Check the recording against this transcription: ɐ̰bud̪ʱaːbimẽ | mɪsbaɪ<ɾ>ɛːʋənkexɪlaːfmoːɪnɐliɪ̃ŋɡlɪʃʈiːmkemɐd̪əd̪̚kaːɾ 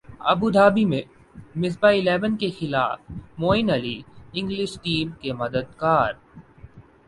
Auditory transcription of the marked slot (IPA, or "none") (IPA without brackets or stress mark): l